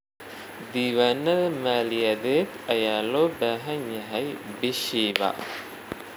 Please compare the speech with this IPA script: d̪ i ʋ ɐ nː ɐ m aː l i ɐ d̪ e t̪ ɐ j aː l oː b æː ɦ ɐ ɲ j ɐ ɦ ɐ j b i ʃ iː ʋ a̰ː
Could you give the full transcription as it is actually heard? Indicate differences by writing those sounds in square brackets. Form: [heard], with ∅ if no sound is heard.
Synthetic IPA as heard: d̪ i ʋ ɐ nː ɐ m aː l i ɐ d̪ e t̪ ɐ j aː l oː b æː ɦ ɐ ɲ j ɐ ɦ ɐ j b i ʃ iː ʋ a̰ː

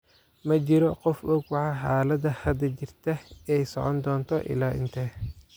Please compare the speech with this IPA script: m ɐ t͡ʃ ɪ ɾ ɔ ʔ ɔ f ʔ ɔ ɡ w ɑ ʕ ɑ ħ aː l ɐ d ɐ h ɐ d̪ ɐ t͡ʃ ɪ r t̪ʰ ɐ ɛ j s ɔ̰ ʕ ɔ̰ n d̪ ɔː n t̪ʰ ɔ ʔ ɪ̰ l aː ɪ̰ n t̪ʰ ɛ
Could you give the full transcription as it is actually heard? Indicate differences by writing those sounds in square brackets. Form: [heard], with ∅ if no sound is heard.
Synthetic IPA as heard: m ɐ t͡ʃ ɪ ɾ ɔ [q] ɔ f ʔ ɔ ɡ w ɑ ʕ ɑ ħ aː l ɐ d ɐ h ɐ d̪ ɐ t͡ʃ ɪ r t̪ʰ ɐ ɛ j s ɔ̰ ʕ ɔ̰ n d̪ ɔː n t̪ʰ ɔ ʔ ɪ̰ l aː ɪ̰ n t̪ʰ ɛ

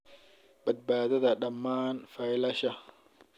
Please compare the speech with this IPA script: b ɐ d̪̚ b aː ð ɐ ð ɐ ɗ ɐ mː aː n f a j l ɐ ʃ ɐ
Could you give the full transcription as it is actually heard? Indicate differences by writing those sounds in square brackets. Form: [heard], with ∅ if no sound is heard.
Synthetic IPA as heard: b ɐ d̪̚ b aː ð ɐ ð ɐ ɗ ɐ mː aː n f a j l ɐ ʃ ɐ

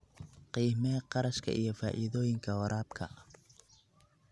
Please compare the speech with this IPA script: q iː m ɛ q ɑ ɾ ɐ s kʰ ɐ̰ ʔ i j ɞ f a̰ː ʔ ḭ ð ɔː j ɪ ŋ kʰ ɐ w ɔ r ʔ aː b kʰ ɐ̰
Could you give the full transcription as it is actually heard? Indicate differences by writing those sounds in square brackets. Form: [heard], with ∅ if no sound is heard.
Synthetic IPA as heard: q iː m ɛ q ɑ ɾ ɐ [ʃ] kʰ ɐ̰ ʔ i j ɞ f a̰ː ʔ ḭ ð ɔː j ɪ ŋ kʰ ɐ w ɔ [ɾ] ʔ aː b kʰ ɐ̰

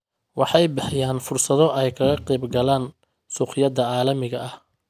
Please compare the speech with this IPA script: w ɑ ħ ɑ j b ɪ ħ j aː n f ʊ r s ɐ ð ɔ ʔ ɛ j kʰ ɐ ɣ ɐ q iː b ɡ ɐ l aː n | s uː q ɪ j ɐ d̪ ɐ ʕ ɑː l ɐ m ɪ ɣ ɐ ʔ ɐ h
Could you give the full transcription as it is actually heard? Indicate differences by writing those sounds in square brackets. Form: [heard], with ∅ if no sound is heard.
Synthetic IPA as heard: w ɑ ħ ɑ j b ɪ ħ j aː n f ʊ r s ɐ ð ɔ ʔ ɛ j kʰ ɐ ɣ ɐ q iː b ɡ ɐ l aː n | s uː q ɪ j ɐ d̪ ɐ ʕ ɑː l ɐ m ɪ ɣ ɐ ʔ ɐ h

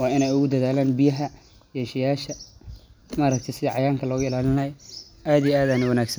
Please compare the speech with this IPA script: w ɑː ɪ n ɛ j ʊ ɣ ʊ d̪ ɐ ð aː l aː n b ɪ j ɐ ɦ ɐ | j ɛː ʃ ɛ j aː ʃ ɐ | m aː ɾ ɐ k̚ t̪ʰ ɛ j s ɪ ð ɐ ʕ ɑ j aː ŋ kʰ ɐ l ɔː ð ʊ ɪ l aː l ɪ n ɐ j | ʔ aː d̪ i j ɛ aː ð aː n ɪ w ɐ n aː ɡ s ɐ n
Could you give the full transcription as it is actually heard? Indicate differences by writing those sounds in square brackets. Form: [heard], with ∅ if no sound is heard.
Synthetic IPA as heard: w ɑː ɪ n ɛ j ʊ ɣ ʊ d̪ ɐ ð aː l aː n b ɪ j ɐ ɦ ɐ | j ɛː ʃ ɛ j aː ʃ ɐ | m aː ɾ ɐ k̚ t̪ʰ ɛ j s ɪ ð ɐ ʕ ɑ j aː ŋ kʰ ɐ l ɔː [ɣ] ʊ ɪ l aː l ɪ n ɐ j | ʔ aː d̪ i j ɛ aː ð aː n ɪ w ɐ n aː ɡ s ɐ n

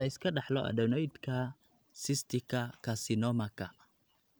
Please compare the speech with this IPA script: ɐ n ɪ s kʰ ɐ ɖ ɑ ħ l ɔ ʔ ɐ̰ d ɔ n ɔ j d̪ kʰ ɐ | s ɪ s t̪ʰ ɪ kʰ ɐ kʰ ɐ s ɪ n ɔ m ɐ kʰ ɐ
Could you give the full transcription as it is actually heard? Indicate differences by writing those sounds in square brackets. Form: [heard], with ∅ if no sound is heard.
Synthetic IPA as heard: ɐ [∅] ɪ s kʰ ɐ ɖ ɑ ħ l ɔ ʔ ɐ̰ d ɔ n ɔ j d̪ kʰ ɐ | s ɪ s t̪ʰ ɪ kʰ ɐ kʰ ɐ s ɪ n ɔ m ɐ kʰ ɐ

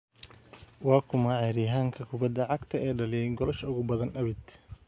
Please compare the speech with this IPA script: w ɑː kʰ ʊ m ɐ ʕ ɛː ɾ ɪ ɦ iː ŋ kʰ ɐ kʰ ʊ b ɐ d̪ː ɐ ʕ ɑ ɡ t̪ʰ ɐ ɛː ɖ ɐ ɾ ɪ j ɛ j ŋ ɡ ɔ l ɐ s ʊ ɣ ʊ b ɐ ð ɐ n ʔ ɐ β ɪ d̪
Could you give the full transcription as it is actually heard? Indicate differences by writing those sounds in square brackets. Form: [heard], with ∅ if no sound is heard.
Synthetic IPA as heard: w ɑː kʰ ʊ m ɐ ʕ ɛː ɾ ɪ ɦ [aː] ŋ kʰ ɐ kʰ ʊ b ɐ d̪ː ɐ ʕ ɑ ɡ t̪ʰ ɐ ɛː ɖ ɐ [l] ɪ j ɛ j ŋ ɡ ɔ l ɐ [ʃ] ʊ ɣ ʊ b ɐ ð ɐ n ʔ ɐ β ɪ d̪

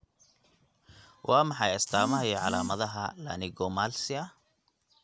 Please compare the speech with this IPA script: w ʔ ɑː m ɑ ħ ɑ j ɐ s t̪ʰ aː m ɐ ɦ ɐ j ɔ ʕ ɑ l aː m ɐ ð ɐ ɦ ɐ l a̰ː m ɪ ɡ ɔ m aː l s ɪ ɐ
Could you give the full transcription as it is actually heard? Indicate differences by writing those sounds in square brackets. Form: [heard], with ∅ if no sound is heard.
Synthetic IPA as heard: w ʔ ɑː m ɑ ħ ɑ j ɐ s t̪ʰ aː m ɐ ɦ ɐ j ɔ ʕ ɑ l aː m ɐ ð ɐ ɦ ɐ l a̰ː [n] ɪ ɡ ɔ m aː l s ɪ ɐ

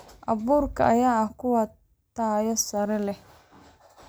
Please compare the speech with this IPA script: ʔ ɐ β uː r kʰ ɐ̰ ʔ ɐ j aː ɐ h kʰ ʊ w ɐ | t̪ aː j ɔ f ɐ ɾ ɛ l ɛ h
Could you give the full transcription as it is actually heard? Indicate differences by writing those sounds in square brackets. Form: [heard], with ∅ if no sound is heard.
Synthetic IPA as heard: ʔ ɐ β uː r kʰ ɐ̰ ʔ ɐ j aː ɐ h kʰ ʊ w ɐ | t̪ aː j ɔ [s] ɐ ɾ ɛ l ɛ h

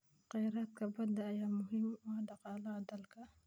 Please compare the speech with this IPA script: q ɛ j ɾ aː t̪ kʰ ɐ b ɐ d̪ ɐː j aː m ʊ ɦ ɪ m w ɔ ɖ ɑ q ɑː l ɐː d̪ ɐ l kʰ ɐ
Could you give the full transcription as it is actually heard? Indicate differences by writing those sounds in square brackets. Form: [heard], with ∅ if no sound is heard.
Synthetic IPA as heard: q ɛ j ɾ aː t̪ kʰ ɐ b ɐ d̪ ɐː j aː m ʊ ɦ ɪ m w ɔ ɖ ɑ q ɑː l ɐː d̪ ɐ l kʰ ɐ

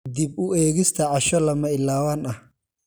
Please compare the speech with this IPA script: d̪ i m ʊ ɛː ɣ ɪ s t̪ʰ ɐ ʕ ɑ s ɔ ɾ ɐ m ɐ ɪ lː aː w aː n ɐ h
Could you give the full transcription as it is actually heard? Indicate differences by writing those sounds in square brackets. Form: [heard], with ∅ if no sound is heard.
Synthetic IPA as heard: d̪ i [b] ʊ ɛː ɣ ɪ s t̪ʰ ɐ ʕ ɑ [ʃ] ɔ [l] ɐ m ɐ ɪ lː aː w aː n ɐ h

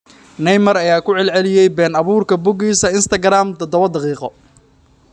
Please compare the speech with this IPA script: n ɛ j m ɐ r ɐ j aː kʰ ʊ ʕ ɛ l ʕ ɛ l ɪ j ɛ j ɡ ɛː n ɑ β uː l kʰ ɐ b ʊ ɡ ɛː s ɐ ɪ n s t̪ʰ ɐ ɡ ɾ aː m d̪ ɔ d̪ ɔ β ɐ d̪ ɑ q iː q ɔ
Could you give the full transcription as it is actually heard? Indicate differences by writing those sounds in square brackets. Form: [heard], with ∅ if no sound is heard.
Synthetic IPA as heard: n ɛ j m ɐ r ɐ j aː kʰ ʊ ʕ ɛ l ʕ ɛ l ɪ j ɛ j [b] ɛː n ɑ β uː [r] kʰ ɐ b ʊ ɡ [iː] s ɐ ɪ n s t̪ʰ ɐ ɡ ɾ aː m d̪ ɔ d̪ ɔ β ɐ d̪ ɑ q iː q ɔ

